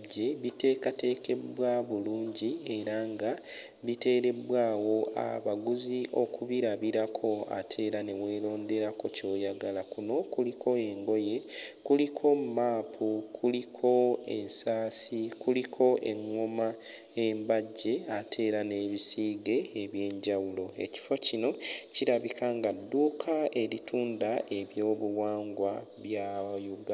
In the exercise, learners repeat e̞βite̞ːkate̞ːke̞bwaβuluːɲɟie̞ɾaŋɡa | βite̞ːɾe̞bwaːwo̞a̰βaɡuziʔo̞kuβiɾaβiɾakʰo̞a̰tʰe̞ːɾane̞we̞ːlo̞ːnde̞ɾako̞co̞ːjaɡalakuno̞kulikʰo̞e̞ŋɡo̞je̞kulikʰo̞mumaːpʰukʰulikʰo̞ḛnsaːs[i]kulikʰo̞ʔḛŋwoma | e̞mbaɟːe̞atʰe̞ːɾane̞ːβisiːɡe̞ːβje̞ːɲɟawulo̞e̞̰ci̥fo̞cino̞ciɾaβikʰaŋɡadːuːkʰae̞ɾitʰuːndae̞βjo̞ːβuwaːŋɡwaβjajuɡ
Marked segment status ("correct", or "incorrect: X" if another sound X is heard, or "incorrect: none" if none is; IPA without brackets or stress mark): correct